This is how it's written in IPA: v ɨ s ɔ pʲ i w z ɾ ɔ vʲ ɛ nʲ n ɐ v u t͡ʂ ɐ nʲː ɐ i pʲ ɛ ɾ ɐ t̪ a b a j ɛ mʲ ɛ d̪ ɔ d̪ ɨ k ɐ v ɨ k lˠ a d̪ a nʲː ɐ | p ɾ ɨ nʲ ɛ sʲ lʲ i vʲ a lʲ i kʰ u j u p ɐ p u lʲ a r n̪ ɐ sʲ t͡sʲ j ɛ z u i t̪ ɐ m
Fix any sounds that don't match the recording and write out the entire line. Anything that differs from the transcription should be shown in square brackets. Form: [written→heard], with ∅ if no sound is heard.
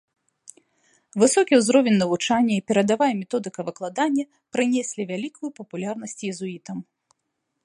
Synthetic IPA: v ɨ s ɔ [pʲ→kʲ] i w z ɾ ɔ vʲ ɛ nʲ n ɐ v u t͡ʂ [ɐ→a] nʲː ɐ i pʲ ɛ ɾ ɐ [t̪→d̪] a [b→v] a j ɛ mʲ ɛ [d̪→t̪] ɔ d̪ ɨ k ɐ v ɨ k lˠ a d̪ a nʲː ɐ | p ɾ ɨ nʲ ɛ sʲ lʲ i vʲ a lʲ i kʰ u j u p ɐ p u lʲ a r n̪ ɐ sʲ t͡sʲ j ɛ z u i t̪ ɐ m

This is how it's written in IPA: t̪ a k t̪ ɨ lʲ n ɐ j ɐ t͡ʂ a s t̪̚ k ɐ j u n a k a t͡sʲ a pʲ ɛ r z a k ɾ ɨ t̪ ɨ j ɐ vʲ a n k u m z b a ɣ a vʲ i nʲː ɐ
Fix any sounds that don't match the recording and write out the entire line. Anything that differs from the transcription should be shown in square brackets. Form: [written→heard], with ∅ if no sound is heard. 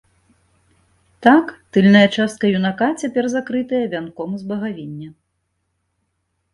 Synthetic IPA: t̪ a k t̪ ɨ lʲ n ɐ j ɐ t͡ʂ a s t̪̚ k ɐ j u n a k a t͡sʲ a pʲ ɛ r z a k ɾ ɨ t̪ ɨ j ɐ vʲ a n k [u→ɔ] m z b [a→ɐ] ɣ a vʲ i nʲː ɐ

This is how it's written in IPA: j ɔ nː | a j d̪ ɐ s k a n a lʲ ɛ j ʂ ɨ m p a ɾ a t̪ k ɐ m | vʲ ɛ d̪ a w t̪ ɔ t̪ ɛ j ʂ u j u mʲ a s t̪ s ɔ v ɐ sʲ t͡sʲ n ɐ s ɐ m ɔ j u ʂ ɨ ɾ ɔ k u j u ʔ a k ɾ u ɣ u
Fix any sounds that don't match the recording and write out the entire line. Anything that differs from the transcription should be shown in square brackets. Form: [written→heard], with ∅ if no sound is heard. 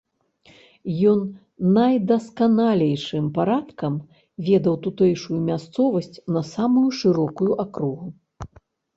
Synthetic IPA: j ɔ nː | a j d̪ ɐ s k a n a lʲ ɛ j ʂ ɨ m p a ɾ a t̪ k ɐ m | vʲ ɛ d̪ [a→ɐ] w t̪ [ɔ→u] t̪ ɛ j ʂ u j u mʲ a s t̪ s ɔ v ɐ sʲ t͡sʲ n ɐ s [ɐ→a] m [ɔ→u] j u ʂ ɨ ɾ ɔ k u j u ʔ a k ɾ u ɣ u

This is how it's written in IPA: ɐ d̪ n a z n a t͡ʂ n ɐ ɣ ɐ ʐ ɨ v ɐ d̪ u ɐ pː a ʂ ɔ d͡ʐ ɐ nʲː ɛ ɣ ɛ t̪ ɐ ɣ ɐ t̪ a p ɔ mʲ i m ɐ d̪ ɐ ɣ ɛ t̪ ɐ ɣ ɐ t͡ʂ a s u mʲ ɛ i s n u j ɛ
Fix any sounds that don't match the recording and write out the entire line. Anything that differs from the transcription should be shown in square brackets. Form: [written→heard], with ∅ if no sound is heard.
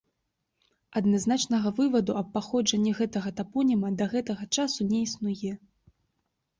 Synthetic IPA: ɐ d̪ n a z n a t͡ʂ n ɐ ɣ ɐ [ʐ→v] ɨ v ɐ d̪ u ɐ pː a [ʂ→x] ɔ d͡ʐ ɐ nʲː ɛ ɣ ɛ t̪ ɐ ɣ ɐ t̪ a p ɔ [mʲ→nʲ] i m ɐ d̪ ɐ ɣ ɛ t̪ ɐ ɣ ɐ t͡ʂ a s u [mʲ→nʲ] ɛ i s n u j ɛ

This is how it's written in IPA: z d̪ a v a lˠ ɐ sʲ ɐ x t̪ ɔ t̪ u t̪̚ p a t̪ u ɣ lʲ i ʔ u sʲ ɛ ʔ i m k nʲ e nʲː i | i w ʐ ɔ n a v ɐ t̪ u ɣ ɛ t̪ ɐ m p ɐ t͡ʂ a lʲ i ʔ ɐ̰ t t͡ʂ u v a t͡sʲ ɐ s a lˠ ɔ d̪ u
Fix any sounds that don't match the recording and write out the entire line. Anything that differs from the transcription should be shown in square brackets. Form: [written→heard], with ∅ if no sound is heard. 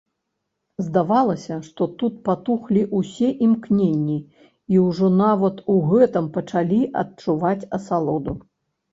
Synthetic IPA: z d̪ a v a lˠ ɐ sʲ ɐ [x→ʂ] t̪ ɔ t̪ u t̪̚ p a t̪ u [ɣ→x] lʲ i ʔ u sʲ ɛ ʔ i m k nʲ e nʲː i | i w ʐ ɔ n a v ɐ t̪ u ɣ ɛ t̪ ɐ m p ɐ t͡ʂ a lʲ i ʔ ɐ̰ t t͡ʂ u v a t͡sʲ ɐ s a lˠ ɔ d̪ u

